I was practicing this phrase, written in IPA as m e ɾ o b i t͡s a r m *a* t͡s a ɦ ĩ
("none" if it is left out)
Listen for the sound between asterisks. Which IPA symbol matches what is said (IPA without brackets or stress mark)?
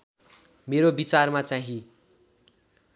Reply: a